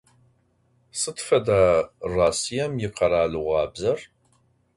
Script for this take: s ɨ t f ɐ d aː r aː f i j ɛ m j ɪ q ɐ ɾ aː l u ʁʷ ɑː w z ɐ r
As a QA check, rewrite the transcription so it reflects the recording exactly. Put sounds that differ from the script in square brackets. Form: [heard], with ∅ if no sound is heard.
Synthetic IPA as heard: s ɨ t f ɐ d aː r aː [s] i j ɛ m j ɪ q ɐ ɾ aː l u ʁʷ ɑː [b] z ɐ r